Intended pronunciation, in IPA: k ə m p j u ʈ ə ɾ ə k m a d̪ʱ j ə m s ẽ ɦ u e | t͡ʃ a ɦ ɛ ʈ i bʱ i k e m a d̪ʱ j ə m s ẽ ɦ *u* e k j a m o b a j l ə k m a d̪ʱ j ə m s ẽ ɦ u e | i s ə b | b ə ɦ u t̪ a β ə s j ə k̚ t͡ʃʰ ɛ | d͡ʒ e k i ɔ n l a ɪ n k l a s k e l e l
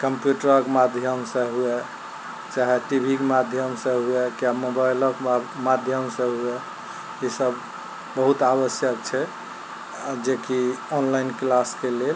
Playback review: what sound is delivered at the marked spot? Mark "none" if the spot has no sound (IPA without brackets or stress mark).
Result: u